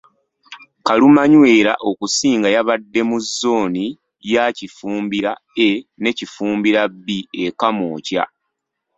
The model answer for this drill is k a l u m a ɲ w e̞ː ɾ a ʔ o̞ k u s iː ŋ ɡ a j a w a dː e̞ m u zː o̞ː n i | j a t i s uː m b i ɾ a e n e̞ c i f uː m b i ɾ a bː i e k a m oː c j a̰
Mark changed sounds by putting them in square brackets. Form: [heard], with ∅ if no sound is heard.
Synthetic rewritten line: k a l u m a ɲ w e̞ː ɾ a ʔ o̞ k u s iː ŋ ɡ a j a [β] a dː e̞ m u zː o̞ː n i | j a [c] i [f] uː m b i ɾ a e n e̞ c i f uː m b i ɾ a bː i e k a m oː c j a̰